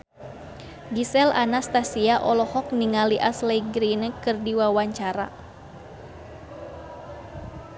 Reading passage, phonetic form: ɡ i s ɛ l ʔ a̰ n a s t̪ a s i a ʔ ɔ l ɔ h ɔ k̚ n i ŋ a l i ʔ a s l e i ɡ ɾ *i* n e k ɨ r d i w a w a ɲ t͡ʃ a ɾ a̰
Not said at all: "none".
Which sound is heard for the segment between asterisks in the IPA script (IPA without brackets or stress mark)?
i